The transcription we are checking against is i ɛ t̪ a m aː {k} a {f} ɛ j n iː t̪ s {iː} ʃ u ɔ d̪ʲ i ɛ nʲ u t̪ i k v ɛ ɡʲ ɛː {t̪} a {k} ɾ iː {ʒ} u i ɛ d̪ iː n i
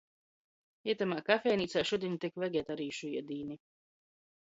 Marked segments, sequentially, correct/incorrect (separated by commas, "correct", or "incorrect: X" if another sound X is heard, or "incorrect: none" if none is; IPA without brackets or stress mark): correct, correct, incorrect: aː, correct, incorrect: none, incorrect: ʃ